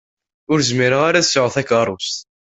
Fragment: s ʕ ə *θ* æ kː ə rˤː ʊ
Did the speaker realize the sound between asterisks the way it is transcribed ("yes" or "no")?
yes